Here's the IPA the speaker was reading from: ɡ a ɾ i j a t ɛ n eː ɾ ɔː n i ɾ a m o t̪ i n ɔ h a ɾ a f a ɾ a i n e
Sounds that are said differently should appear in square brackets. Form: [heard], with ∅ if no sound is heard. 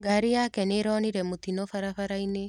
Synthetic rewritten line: ɡ a ɾ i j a [k] ɛ n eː ɾ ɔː n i ɾ [ɛ] m o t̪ i n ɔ [f] a ɾ a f a ɾ a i n e